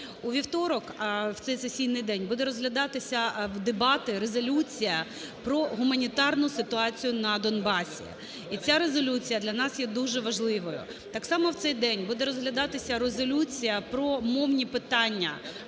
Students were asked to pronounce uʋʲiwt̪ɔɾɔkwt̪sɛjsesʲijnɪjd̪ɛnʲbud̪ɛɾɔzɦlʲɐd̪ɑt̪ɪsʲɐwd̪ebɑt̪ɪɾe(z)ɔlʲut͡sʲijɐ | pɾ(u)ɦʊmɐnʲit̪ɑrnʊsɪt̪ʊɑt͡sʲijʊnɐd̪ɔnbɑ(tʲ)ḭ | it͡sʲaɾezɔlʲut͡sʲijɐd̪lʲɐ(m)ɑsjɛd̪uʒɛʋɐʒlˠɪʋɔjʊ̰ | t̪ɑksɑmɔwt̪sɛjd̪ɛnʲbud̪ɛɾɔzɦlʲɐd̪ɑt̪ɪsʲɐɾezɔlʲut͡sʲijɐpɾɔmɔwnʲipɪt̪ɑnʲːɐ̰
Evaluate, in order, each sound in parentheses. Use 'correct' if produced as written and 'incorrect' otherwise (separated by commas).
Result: correct, incorrect, incorrect, incorrect